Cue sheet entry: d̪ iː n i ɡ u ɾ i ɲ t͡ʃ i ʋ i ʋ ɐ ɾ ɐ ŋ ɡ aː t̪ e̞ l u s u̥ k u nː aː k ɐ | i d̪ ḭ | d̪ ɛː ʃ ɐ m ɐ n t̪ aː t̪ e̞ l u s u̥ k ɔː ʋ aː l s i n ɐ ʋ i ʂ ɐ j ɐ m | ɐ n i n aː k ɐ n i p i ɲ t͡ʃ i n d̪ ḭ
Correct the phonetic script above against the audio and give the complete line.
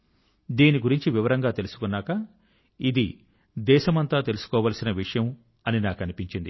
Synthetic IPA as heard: d̪ iː n i ɡ u ɾ i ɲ t͡ʃ i ʋ i ʋ ɐ ɾ ɐ ŋ ɡ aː t̪ e̞ l u s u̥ k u nː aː k ɐ | i d̪ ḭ | d̪ ɛː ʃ ɐ m ɐ n t̪ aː t̪ e̞ l u s u̥ k ɔː ʋ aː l s i n ɐ ʋ i ʂ ɐ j ɐ m | ɐ n i n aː k ɐ n i p i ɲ t͡ʃ i n d̪ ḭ